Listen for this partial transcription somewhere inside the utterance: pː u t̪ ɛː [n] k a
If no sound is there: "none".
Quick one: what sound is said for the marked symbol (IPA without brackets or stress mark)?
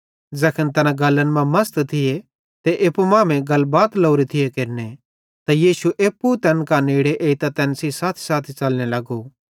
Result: n